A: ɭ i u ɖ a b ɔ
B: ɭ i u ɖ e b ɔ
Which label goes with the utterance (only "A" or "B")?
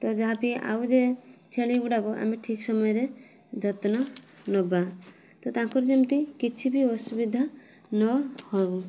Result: A